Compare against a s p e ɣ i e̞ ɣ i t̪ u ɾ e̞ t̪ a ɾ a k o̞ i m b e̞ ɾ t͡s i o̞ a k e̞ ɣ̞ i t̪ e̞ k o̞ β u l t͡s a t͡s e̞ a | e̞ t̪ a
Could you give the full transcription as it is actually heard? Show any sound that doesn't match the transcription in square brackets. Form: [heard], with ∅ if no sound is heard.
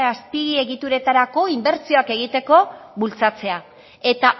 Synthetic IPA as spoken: a s p [i] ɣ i e̞ ɣ i t̪ u ɾ e̞ t̪ a ɾ a k o̞ i m b e̞ ɾ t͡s i o̞ a k e̞ ɣ̞ i t̪ e̞ k o̞ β u l t͡s a t͡s e̞ a | e̞ t̪ a